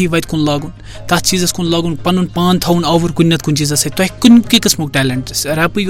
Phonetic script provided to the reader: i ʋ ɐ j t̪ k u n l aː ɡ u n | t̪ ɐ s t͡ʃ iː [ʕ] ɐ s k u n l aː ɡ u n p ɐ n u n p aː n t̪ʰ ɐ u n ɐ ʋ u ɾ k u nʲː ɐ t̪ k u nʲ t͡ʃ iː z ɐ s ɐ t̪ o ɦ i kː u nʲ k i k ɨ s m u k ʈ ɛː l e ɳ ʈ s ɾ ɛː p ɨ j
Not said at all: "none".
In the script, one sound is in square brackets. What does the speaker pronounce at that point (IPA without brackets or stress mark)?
z